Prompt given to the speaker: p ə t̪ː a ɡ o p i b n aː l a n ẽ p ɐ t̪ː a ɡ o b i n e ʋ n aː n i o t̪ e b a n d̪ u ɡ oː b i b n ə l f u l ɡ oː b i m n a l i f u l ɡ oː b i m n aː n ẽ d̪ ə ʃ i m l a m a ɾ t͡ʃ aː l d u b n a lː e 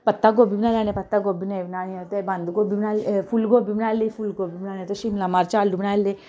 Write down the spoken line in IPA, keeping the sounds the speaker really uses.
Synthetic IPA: p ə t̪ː a ɡ o b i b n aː l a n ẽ p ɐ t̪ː a ɡ o b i n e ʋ n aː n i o t̪ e b a n d̪ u ɡ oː b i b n a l f u l ɡ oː b i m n a l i f u l ɡ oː b i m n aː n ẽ t̪ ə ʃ i m l a m a ɾ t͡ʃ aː l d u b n a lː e